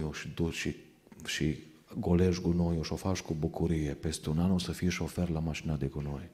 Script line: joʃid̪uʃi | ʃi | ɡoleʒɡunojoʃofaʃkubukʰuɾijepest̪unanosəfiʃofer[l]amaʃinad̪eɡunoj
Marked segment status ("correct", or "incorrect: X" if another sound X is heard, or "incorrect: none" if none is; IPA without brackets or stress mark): correct